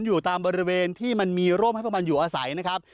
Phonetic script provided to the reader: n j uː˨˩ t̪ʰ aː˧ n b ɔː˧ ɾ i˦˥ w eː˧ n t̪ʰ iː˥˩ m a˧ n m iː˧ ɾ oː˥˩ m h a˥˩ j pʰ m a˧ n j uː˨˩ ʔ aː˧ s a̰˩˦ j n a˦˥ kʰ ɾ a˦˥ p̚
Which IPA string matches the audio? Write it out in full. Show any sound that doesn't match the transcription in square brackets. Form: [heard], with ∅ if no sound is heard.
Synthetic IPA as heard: n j uː˨˩ [t̪] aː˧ [m] b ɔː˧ ɾ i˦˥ w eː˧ n t̪ʰ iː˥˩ m a˧ n m iː˧ ɾ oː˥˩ m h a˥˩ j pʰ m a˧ n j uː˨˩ ʔ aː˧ s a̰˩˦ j n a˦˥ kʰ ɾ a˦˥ p̚

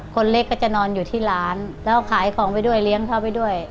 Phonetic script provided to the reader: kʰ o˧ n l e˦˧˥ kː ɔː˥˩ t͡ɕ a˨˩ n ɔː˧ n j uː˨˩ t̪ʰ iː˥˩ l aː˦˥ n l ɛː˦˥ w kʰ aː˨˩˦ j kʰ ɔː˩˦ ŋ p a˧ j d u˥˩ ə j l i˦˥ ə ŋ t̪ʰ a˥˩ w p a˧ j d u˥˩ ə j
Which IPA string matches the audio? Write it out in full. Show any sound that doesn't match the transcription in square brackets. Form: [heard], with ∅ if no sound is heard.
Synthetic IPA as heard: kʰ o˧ n l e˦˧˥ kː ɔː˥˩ t͡ɕ a˨˩ n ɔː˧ n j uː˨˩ t̪ʰ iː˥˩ l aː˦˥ n l ɛː˦˥ w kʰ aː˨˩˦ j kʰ ɔː˩˦ ŋ p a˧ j d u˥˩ ə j l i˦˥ ə ŋ t̪ʰ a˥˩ w p a˧ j d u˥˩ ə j

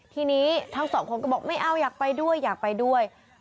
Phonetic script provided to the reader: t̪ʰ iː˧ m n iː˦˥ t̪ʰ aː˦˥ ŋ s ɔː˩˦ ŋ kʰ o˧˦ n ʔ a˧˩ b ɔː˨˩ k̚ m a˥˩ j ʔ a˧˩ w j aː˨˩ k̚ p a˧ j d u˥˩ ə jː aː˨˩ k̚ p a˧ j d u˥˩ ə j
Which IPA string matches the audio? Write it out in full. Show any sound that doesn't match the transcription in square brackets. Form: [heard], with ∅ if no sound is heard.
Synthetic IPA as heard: t̪ʰ iː˧ [∅] n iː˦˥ t̪ʰ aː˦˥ ŋ s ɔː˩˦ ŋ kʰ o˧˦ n [k] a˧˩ b ɔː˨˩ k̚ m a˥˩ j ʔ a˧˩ w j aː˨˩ k̚ p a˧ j d u˥˩ ə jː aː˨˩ k̚ p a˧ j d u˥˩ ə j

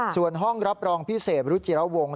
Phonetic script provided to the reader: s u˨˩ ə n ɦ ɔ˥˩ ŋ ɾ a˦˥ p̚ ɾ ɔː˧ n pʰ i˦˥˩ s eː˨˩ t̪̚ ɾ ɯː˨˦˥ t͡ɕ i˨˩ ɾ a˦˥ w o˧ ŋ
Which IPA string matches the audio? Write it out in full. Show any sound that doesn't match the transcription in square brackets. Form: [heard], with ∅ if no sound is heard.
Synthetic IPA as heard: s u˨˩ ə n ɦ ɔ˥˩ ŋ ɾ a˦˥ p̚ ɾ ɔː˧ [ŋ] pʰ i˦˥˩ s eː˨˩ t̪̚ ɾ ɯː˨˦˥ t͡ɕ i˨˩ ɾ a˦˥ w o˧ ŋ

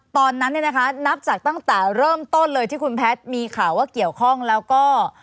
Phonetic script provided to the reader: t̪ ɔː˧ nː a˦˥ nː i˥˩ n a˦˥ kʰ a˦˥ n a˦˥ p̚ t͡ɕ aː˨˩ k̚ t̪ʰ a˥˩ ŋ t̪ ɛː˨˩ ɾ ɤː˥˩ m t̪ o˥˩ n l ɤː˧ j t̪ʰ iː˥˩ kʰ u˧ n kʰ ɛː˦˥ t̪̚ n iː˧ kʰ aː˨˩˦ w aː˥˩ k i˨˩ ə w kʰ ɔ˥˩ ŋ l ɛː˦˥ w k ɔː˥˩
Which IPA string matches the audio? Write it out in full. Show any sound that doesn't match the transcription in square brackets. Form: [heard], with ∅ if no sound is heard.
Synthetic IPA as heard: t̪ ɔː˧ nː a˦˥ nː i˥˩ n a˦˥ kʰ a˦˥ n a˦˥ p̚ t͡ɕ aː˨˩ k̚ [t̪] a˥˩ ŋ t̪ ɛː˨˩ ɾ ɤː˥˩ m t̪ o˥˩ n l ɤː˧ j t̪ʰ iː˥˩ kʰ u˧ n [pʰ] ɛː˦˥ t̪̚ [m] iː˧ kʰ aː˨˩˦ w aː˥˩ k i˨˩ ə w kʰ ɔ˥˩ ŋ l ɛː˦˥ w k ɔː˥˩

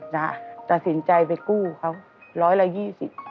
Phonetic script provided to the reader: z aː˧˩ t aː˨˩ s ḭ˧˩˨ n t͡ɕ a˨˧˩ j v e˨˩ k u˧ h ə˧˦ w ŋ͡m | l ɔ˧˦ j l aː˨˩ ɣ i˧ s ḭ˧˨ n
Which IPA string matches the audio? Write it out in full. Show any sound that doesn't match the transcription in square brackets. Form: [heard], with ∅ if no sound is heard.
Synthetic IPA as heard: z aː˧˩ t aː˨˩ s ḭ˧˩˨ n t͡ɕ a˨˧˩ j v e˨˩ k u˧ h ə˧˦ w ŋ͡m | l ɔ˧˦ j l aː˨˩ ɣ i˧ s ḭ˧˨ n

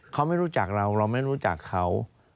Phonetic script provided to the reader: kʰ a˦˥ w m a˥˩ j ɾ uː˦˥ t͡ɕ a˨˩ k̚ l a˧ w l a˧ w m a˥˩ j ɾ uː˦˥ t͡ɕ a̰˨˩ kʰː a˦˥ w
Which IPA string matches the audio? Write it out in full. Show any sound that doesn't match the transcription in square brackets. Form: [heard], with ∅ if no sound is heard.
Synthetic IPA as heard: kʰ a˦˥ w m a˥˩ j ɾ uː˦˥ t͡ɕ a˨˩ k̚ [ɾ] a˧ w [ɾ] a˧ w m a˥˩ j ɾ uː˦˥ t͡ɕ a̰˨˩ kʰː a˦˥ w

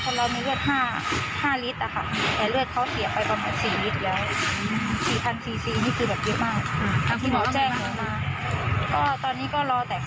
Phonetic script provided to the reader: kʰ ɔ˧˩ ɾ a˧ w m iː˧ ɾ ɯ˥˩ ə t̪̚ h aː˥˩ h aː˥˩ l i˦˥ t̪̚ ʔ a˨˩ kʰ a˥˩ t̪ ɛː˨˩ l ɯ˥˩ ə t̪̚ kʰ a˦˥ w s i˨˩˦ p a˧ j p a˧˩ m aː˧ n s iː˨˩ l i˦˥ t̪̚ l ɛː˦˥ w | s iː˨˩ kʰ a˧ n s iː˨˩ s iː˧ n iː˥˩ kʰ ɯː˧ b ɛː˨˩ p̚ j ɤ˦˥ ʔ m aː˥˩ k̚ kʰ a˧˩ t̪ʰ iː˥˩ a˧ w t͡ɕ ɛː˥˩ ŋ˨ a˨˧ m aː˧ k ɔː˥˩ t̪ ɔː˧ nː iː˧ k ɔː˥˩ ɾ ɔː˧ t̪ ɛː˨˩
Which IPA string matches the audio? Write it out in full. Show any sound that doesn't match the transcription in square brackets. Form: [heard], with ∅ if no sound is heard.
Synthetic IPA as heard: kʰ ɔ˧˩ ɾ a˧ w m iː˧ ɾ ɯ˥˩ ə t̪̚ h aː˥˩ h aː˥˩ l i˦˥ t̪̚ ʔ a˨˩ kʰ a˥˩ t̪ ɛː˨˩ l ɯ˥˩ ə t̪̚ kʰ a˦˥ w s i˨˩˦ p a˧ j p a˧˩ m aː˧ n s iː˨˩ l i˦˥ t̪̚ l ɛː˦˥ w | s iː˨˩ [pʰ] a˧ n s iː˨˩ s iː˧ n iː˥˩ kʰ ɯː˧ b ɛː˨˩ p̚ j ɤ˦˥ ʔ m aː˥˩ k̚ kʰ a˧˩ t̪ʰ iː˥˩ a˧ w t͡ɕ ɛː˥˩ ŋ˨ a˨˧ m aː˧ k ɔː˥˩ t̪ ɔː˧ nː [iː˦˥] k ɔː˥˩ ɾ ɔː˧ t̪ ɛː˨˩

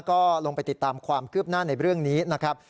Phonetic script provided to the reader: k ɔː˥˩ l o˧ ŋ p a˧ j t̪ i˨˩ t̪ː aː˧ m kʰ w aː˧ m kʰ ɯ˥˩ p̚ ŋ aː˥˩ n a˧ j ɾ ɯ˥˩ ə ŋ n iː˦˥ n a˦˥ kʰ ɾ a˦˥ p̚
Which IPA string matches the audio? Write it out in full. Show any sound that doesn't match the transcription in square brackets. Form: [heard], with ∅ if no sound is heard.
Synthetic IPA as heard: k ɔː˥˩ l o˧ ŋ p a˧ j t̪ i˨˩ t̪ː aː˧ m kʰ w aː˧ m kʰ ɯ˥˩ p̚ [n] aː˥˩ n a˧ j ɾ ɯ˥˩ ə ŋ n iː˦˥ n a˦˥ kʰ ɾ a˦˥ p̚

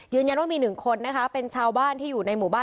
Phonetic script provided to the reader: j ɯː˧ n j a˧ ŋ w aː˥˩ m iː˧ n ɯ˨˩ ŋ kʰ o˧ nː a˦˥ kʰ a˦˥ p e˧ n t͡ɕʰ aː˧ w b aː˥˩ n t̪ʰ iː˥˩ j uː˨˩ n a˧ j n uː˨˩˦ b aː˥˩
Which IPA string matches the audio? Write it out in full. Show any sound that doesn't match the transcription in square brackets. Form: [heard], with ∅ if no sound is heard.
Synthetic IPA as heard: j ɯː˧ n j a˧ [n] w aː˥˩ m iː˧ n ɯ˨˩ ŋ kʰ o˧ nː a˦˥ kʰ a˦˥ p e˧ n t͡ɕʰ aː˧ w b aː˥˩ n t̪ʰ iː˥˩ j uː˨˩ n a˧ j [m] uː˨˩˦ b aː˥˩

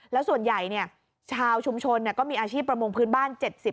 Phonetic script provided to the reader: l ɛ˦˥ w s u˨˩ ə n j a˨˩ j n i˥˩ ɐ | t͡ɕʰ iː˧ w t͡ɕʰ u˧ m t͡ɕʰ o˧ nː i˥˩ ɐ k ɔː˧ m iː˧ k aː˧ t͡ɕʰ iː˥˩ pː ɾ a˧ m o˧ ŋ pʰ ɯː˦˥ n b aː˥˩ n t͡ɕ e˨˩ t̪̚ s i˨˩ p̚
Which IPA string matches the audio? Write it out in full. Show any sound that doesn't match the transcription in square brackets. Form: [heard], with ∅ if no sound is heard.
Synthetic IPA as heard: l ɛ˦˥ w s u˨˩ ə n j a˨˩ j n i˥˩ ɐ | t͡ɕʰ [aː˧] w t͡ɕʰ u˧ m t͡ɕʰ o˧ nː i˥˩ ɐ k [ɔː˥˩] m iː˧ [ʔ] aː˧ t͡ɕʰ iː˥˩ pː ɾ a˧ m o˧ ŋ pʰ ɯː˦˥ n b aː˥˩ n t͡ɕ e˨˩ t̪̚ s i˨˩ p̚

